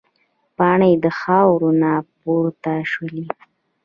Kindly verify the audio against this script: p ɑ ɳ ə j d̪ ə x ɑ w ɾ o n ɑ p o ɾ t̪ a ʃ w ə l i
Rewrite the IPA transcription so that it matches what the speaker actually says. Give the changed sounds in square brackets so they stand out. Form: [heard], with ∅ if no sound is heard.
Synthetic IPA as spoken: p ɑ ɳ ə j d̪ ə x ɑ w ɾ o n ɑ p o ɾ t̪ a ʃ w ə l i

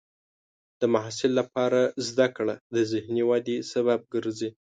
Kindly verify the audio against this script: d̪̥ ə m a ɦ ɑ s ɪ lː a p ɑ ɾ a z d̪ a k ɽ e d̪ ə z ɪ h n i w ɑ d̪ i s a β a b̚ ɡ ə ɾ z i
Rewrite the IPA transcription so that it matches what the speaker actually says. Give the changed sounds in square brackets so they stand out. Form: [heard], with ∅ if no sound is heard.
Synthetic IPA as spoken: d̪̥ ə m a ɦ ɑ s ɪ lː a p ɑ ɾ a z d̪ a k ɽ [a] d̪ ə z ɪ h n i w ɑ d̪ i s a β a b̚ ɡ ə ɾ z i

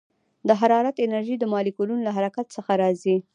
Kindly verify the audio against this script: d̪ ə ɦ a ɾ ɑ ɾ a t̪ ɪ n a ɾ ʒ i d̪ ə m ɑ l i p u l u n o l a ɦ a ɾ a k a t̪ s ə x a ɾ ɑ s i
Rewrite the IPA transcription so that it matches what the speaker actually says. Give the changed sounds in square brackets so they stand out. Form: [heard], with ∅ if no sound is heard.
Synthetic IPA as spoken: d̪ ə ɦ a ɾ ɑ ɾ a t̪ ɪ n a ɾ ʒ i d̪ ə m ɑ l i [k] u l u n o l a ɦ a ɾ a k a t̪ s ə x a ɾ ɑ [z] i

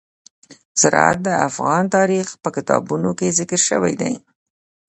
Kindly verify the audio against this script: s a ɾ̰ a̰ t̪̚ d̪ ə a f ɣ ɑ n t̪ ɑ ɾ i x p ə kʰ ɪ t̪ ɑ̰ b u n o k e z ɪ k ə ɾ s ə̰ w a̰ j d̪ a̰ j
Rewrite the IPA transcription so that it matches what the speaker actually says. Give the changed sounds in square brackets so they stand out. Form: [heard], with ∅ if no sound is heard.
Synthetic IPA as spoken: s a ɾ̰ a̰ t̪̚ d̪ ə a f ɣ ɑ n t̪ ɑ ɾ i x p ə [k] ɪ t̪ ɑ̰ b u n o k e z ɪ k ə ɾ [ʃ] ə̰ w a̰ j d̪ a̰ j

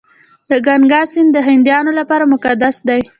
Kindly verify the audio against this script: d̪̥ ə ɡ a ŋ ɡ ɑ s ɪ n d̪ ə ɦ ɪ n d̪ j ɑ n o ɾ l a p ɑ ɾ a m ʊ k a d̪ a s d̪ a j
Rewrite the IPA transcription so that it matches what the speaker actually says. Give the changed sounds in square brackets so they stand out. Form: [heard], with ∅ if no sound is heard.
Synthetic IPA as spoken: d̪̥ ə ɡ a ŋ ɡ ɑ s ɪ n d̪ ə ɦ ɪ n d̪ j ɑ n o [∅] l a p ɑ ɾ a m ʊ k a d̪ a s d̪ a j

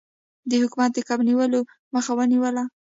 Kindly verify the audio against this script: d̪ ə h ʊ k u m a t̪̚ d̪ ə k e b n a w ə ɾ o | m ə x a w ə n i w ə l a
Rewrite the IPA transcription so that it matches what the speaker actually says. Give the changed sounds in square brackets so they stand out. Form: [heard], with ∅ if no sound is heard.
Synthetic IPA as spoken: d̪ ə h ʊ k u m a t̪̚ d̪ ə k [a] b n [i] w ə [l] o | m ə x a w ə n i w ə l a

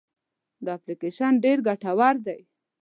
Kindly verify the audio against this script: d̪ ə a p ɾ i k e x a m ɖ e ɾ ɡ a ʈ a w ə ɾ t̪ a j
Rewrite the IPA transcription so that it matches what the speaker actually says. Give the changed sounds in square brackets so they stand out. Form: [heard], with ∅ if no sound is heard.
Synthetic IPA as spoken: d̪ ə a p [l] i k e [ʃ] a [n] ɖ e ɾ ɡ a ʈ a w [a] ɾ [d̪] a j

